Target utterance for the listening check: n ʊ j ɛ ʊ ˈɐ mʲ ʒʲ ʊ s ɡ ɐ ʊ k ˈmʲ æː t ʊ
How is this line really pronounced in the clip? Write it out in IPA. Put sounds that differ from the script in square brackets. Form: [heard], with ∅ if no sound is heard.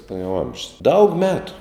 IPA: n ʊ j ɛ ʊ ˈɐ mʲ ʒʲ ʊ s [d] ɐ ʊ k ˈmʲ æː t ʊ

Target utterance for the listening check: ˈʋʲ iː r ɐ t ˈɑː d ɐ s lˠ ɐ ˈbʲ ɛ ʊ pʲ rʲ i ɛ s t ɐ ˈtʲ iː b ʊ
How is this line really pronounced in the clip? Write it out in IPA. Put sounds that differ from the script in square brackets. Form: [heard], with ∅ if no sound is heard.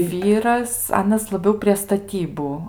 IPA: ˈʋʲ iː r ɐ [s] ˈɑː [n] ɐ s lˠ ɐ ˈbʲ ɛ ʊ pʲ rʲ i ɛ s t ɐ ˈtʲ iː b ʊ

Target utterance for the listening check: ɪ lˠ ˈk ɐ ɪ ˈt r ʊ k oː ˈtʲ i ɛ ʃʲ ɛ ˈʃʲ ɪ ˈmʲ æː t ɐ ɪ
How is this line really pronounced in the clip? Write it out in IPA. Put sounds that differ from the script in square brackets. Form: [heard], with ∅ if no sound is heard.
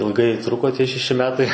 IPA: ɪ lˠ [ˈɡ] ɐ ɪ ˈt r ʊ k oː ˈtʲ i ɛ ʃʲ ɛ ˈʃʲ ɪ ˈmʲ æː t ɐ ɪ

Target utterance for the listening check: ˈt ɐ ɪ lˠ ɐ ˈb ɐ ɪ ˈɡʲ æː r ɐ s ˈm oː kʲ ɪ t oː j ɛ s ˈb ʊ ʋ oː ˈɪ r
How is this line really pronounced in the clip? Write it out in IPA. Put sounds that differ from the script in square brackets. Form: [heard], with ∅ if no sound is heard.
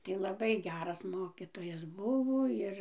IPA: ˈt ɐ ɪ lˠ ɐ ˈb ɐ ɪ ˈɡʲ æː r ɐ s ˈm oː kʲ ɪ t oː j ɛ s ˈb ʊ ʋ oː ˈɪ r

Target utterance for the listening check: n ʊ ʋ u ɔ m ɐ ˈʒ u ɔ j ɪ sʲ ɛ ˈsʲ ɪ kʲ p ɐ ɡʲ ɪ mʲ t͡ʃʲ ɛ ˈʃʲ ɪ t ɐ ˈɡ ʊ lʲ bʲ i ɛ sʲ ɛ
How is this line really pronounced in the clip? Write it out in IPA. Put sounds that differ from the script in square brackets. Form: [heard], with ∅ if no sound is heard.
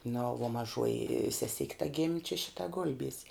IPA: n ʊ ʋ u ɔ m ɐ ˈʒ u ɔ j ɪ sʲ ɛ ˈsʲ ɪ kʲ [t] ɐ ɡʲ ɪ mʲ t͡ʃʲ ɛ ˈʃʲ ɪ t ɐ ˈɡ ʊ lʲ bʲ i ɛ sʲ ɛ

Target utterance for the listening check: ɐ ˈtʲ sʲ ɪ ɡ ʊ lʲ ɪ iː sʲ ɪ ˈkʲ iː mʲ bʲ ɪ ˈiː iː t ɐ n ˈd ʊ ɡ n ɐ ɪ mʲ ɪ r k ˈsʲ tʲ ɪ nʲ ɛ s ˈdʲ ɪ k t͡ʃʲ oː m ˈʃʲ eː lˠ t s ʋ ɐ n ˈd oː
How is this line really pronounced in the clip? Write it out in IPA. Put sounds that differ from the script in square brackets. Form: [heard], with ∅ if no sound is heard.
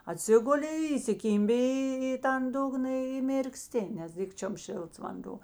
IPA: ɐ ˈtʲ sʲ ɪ ɡ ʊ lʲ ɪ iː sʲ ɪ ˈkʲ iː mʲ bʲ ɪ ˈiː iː t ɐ n ˈd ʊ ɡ n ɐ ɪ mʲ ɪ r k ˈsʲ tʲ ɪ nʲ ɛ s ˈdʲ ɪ k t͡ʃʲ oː m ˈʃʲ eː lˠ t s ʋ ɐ n ˈd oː

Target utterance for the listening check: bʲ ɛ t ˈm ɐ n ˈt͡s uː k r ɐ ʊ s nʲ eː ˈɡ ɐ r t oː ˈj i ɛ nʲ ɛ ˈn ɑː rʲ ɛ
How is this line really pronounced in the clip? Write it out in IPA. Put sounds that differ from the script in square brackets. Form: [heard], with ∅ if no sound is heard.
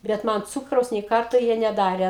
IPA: bʲ ɛ t ˈm ɐ n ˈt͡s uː k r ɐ ʊ s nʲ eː [ˈk] ɐ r t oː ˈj i ɛ nʲ ɛ [ˈd] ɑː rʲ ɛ

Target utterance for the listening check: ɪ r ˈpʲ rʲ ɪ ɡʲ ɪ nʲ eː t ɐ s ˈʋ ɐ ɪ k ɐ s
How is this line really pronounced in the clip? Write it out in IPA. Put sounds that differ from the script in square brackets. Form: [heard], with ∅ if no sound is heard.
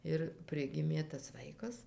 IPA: ɪ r ˈpʲ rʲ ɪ ɡʲ ɪ [mʲ] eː t ɐ s ˈʋ ɐ ɪ k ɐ s

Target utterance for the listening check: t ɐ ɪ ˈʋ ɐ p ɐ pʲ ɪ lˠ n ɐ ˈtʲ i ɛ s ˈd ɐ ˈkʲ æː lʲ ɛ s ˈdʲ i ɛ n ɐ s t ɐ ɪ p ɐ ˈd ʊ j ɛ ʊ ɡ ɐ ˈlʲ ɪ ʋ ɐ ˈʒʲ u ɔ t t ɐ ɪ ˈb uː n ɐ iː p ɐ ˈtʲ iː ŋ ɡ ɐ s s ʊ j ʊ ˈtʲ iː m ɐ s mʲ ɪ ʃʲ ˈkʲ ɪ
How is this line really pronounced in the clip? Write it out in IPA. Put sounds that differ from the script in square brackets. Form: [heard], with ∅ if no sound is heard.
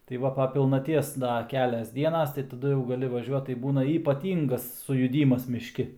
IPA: t ɐ ɪ ˈʋ ɐ p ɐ pʲ ɪ lˠ n ɐ ˈtʲ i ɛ s ˈd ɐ ˈkʲ æː lʲ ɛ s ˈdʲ i ɛ n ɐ s t ɐ ɪ [t] ɐ ˈd ʊ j ɛ ʊ ɡ ɐ ˈlʲ ɪ ʋ ɐ ˈʒʲ u ɔ t t ɐ ɪ ˈb uː n ɐ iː p ɐ ˈtʲ iː ŋ ɡ ɐ s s ʊ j ʊ [ˈdʲ] iː m ɐ s mʲ ɪ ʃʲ ˈkʲ ɪ

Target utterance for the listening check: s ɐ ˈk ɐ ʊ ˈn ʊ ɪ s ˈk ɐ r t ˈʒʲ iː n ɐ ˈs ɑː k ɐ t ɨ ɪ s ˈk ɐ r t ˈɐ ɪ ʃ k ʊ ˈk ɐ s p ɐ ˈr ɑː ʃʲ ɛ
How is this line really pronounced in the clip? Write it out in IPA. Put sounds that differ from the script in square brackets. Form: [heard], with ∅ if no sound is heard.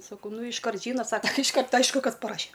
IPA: s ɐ ˈk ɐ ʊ ˈn ʊ ɪ [ʃ] ˈk ɐ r t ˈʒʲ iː n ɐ ˈs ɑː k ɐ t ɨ ɪ [ʃ] ˈk ɐ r t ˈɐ ɪ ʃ k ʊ ˈk ɐ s p ɐ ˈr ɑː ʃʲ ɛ

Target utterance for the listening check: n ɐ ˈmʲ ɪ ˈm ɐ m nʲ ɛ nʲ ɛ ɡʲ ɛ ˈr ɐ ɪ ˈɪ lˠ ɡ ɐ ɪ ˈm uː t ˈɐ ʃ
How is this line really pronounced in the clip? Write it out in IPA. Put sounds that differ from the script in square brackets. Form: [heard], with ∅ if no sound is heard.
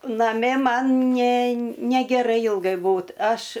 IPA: n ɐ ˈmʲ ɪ ˈm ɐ [n] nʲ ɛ nʲ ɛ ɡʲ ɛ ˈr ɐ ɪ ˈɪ lˠ ɡ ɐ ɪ [ˈb] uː t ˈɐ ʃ

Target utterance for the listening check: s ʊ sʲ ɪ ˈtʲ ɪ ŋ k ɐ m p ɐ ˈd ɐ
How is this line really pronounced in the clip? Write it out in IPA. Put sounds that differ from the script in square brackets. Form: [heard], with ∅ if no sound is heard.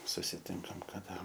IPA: s ʊ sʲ ɪ ˈtʲ ɪ ŋ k ɐ m [k] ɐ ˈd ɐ

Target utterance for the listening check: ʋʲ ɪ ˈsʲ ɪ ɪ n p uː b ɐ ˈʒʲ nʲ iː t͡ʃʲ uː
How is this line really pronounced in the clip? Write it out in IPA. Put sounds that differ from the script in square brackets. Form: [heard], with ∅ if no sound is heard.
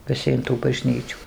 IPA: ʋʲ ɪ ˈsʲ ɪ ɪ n [t] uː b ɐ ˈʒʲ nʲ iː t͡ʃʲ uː

